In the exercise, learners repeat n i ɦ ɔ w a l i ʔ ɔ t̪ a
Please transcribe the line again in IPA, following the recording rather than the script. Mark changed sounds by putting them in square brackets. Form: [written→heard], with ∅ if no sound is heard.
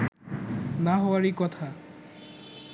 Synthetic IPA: n [i→a] ɦ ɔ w a [l→ɾ] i [ʔ→k] ɔ [t̪→t̪ʰ] a